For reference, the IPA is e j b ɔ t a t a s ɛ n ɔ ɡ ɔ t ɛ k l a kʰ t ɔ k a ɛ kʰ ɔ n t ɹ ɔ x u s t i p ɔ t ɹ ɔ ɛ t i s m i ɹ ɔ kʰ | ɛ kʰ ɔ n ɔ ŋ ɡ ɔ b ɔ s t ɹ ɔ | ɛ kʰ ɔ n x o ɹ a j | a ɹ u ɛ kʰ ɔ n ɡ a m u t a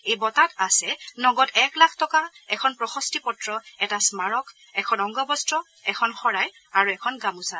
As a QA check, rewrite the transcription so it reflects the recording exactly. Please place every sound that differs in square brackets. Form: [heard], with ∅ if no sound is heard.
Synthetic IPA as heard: e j b ɔ t a t a s ɛ n ɔ ɡ ɔ t ɛ k l a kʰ t ɔ k a ɛ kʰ ɔ n [p] ɹ ɔ x [ɔ] s t i p ɔ t ɹ ɔ ɛ t [a] s m [a] ɹ ɔ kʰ | ɛ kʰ ɔ n ɔ ŋ ɡ ɔ b ɔ s t ɹ ɔ | ɛ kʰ ɔ n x [ɔ] ɹ a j | a ɹ u ɛ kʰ ɔ n ɡ a m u [s] a